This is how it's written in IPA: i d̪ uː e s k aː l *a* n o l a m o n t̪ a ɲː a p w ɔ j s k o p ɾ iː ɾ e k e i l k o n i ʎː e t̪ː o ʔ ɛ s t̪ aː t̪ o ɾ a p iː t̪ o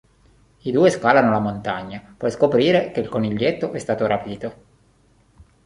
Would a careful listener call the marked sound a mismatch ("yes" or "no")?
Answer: no